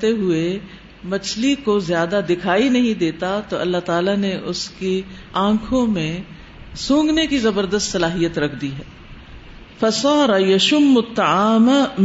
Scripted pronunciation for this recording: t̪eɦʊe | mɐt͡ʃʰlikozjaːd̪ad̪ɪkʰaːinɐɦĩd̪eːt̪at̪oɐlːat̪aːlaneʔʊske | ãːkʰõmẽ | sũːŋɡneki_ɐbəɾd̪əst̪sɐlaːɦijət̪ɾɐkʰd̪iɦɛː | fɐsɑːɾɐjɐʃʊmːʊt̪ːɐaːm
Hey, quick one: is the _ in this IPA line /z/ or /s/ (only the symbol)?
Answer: z